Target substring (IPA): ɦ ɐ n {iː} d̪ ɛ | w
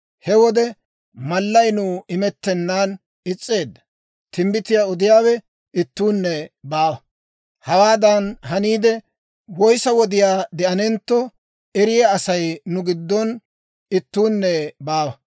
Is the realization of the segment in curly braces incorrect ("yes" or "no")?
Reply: no